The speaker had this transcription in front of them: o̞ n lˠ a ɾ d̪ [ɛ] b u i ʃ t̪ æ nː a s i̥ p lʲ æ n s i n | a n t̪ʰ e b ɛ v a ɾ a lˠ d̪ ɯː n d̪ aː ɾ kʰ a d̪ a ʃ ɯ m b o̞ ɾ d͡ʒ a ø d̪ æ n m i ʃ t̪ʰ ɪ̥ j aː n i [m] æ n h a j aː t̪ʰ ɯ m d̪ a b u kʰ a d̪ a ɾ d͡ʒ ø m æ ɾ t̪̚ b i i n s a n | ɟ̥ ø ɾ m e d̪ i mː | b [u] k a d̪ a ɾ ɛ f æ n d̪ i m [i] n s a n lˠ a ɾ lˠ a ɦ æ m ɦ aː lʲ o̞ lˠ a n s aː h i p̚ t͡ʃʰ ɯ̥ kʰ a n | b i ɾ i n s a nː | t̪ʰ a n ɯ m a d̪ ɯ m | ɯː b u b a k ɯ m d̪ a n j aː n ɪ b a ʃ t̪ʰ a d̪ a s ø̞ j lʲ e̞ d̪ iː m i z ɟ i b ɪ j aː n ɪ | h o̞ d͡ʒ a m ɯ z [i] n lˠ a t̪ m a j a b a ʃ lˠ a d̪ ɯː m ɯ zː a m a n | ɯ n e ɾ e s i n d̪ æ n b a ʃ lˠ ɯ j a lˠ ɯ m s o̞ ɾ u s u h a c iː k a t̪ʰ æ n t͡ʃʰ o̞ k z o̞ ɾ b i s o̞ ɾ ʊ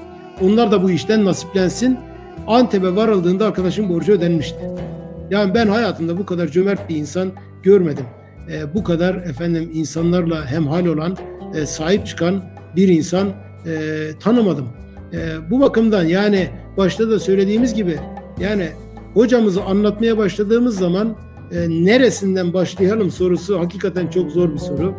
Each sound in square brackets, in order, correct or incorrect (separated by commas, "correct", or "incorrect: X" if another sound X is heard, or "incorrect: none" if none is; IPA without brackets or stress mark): incorrect: a, incorrect: b, correct, correct, incorrect: a